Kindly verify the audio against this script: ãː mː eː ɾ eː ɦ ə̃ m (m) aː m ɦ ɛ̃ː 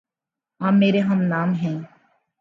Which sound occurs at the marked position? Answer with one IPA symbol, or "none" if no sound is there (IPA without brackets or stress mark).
n